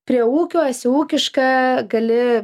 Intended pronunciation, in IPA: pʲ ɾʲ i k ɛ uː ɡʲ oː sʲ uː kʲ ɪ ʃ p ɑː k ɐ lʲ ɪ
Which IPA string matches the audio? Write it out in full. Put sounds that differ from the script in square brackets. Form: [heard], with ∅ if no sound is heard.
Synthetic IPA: pʲ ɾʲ i [∅] ɛ uː [kʲ] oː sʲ uː kʲ ɪ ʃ [k] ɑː [ɡ] ɐ lʲ ɪ

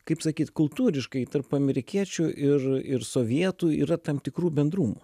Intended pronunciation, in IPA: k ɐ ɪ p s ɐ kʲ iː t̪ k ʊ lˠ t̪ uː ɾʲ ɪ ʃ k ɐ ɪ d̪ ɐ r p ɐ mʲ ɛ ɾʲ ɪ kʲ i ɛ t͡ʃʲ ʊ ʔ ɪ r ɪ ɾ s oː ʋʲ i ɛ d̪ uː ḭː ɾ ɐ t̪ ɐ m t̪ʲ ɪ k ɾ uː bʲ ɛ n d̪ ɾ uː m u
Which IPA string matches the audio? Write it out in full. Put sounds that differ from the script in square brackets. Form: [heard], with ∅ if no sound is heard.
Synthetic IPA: k ɐ ɪ p s ɐ kʲ iː t̪ k ʊ lˠ t̪ uː ɾʲ ɪ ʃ k ɐ ɪ [t̪] ɐ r p ɐ mʲ ɛ ɾʲ ɪ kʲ i ɛ t͡ʃʲ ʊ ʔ ɪ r ɪ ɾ s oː ʋʲ i ɛ [t̪] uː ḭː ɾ ɐ t̪ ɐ m t̪ʲ ɪ k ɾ uː bʲ ɛ n d̪ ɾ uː m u

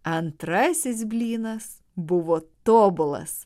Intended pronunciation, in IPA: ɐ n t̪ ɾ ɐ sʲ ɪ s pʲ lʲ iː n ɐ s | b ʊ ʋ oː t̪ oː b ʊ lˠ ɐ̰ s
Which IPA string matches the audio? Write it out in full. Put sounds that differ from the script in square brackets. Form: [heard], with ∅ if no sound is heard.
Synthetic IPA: ɐ n t̪ ɾ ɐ sʲ ɪ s [bʲ] lʲ iː n ɐ s | b ʊ ʋ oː t̪ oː b ʊ lˠ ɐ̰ s

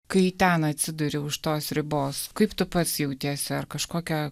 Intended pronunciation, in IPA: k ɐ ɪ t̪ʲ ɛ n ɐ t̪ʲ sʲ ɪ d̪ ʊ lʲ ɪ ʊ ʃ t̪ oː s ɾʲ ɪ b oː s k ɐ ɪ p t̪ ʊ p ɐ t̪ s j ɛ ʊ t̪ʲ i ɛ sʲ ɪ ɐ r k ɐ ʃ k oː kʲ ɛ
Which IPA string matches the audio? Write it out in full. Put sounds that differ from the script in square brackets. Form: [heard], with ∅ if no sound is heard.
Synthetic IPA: k ɐ ɪ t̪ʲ ɛ n ɐ t̪ʲ sʲ ɪ d̪ ʊ [ɾʲ] ɪ ʊ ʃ t̪ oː s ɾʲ ɪ b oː s k ɐ ɪ p t̪ ʊ p ɐ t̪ s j ɛ ʊ t̪ʲ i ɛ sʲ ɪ ɐ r k ɐ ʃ k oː kʲ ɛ

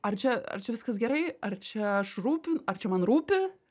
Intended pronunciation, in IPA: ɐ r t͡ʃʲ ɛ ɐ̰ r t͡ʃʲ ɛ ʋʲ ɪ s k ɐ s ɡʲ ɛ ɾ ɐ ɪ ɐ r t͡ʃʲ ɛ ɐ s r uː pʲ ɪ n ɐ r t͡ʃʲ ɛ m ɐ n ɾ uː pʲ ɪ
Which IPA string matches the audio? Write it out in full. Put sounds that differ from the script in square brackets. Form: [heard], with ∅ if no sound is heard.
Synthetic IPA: ɐ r t͡ʃʲ ɛ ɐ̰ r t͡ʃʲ ɛ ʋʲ ɪ s k ɐ s ɡʲ ɛ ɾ ɐ ɪ ɐ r t͡ʃʲ ɛ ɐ [ʃ] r uː pʲ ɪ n ɐ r t͡ʃʲ ɛ m ɐ n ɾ uː pʲ ɪ

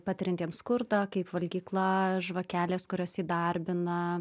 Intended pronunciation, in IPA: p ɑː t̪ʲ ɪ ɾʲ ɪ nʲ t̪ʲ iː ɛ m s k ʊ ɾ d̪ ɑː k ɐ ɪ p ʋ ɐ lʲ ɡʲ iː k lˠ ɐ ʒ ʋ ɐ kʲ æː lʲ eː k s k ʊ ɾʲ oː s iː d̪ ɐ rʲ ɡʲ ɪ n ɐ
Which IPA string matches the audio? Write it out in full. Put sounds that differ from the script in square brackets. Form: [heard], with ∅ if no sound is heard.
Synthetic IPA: p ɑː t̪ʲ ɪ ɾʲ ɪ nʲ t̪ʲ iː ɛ m s k ʊ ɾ d̪ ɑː k ɐ ɪ p ʋ ɐ lʲ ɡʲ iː k lˠ ɐ ʒ ʋ ɐ kʲ æː lʲ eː [∅] s k ʊ ɾʲ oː s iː d̪ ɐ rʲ [bʲ] ɪ n ɐ

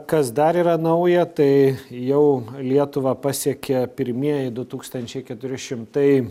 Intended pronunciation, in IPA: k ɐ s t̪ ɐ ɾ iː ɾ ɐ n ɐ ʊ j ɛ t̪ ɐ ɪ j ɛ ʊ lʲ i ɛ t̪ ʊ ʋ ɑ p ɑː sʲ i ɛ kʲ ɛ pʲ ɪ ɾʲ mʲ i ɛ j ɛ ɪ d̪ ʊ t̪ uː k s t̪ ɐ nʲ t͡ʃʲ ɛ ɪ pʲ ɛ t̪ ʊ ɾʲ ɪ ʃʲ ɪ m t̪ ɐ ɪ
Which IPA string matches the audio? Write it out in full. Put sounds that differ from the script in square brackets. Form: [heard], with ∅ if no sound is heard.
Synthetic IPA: k ɐ s [d̪] ɐ ɾ iː ɾ ɐ n ɐ ʊ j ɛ t̪ ɐ ɪ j ɛ ʊ lʲ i ɛ t̪ ʊ ʋ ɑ p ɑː sʲ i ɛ kʲ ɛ pʲ ɪ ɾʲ mʲ i ɛ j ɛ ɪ d̪ ʊ t̪ uː k s t̪ ɐ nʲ t͡ʃʲ ɛ ɪ [kʲ] ɛ t̪ ʊ ɾʲ ɪ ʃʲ ɪ m t̪ ɐ ɪ

